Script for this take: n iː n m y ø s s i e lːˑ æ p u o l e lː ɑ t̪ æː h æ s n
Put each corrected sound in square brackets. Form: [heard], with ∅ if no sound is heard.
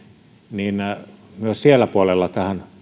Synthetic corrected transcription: n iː n m y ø s s i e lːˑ æ p u o l e lː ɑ t̪ [æ] h æ [∅] n